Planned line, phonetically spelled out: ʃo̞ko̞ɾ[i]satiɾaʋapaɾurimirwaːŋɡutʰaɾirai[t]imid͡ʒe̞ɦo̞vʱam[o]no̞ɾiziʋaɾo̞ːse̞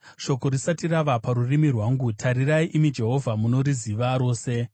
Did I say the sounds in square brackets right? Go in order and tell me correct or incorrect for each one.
correct, incorrect, incorrect

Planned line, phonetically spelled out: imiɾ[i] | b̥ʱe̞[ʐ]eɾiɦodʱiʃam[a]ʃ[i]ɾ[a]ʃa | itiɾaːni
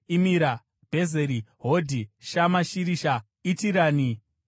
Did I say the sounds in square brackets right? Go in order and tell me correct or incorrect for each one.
incorrect, incorrect, correct, correct, incorrect

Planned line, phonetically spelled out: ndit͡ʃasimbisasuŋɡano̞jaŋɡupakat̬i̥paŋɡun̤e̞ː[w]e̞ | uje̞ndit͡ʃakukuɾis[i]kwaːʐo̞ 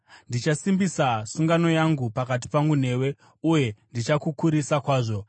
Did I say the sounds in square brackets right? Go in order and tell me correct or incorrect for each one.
correct, incorrect

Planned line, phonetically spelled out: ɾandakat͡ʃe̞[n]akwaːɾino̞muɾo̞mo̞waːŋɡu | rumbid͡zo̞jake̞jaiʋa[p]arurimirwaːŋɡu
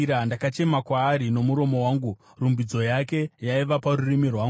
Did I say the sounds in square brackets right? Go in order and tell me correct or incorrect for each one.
incorrect, correct

